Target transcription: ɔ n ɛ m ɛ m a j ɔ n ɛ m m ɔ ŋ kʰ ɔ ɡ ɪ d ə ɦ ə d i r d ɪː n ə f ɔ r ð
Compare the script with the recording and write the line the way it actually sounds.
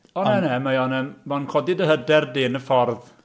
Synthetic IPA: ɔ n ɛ n ɛ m a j ɔ n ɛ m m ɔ n kʰ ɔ d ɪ d ə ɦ ə d ɛ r d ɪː n ə f ɔ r ð

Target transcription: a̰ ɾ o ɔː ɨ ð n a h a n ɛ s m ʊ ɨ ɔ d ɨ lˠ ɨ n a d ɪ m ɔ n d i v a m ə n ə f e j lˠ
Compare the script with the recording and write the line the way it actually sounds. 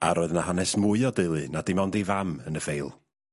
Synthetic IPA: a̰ ɾ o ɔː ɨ ð n a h a n ɛ s m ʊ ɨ ɔ d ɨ lˠ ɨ n a d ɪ m ɔ n d i v a m ə n ə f e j lˠ

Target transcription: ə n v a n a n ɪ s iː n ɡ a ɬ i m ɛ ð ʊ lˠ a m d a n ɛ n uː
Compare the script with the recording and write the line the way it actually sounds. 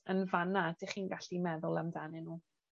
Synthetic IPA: ə n v a n a d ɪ χ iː n ɡ a ɬ i m ɛ ð ʊ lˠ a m d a n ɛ n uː

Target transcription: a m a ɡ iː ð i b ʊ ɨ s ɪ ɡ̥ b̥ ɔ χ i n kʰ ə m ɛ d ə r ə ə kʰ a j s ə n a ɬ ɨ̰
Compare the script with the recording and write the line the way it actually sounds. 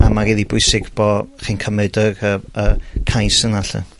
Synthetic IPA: a m a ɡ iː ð i b ʊ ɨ s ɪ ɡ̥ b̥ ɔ χ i n kʰ ə m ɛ d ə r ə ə kʰ a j s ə n a ɬ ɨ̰

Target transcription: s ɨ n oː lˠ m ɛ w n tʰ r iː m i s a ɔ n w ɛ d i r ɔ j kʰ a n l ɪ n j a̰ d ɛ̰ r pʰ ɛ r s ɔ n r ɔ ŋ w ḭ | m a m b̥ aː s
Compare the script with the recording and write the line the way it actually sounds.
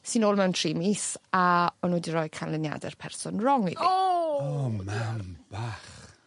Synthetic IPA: s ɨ n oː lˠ m ɛ w n tʰ r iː m i s a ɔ n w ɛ d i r ɔ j kʰ a n l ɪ n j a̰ d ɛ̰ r pʰ ɛ r s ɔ n r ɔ ŋ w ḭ | m a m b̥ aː χ

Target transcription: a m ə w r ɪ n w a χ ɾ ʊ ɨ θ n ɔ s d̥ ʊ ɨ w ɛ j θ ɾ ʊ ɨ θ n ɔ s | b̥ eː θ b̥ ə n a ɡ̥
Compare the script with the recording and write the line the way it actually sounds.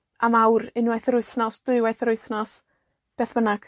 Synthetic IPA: a m a w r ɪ n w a θ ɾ ʊ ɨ θ n ɔ s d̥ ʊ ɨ w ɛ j θ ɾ ʊ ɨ θ n ɔ s | b̥ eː θ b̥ ə n a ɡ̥

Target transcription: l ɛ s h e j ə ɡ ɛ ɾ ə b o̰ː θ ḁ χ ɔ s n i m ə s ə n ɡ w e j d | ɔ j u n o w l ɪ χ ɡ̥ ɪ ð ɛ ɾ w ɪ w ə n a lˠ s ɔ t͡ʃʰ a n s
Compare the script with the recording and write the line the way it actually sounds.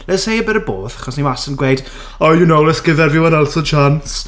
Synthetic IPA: l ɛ s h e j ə b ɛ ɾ ə b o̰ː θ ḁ χ ɔ s n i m a s ə n ɡ w e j d | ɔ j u n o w l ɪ s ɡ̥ ɪ ð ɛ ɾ v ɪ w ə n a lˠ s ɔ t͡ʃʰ a n s

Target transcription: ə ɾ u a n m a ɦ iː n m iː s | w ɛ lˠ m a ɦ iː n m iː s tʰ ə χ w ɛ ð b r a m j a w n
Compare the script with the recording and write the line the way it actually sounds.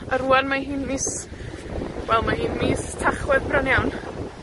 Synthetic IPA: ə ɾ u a n m a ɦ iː n m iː s | w ɛ lˠ m a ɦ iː n m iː s tʰ a χ w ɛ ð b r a n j a w n

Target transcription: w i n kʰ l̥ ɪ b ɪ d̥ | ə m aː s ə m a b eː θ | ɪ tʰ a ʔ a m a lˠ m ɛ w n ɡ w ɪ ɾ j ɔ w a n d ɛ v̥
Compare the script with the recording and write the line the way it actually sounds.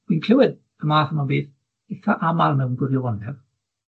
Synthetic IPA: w i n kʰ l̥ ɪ w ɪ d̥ | ə m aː θ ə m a b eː θ | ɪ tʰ a ʔ a m a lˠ m ɛ w n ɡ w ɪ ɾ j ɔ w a n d ɛ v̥

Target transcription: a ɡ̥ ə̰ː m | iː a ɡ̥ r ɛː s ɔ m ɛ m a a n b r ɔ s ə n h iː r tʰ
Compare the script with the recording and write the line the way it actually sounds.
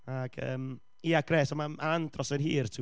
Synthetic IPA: a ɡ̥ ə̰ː m | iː a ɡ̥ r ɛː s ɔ m a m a a n d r ɔ s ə n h iː r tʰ

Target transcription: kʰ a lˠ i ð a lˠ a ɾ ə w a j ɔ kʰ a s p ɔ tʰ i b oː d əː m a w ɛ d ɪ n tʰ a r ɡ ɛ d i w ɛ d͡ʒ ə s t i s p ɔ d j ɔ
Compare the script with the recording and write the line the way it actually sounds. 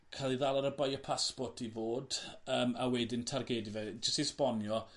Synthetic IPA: kʰ a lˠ i ð a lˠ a ɾ ə b a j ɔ pʰ a s p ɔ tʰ i v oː d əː m a w ɛ d ɪ n tʰ a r ɡ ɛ d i v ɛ d͡ʒ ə s t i s p ɔ n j ɔ

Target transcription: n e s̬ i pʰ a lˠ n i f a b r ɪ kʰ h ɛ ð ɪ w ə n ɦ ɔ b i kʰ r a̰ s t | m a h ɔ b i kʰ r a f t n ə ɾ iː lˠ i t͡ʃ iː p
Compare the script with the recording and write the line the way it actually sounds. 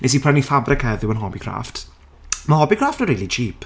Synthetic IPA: n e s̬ i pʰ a n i f a b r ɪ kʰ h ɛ ð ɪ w ə n ɦ ɔ b i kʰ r a̰ f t | m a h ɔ b i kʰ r a f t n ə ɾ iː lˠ i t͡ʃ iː p

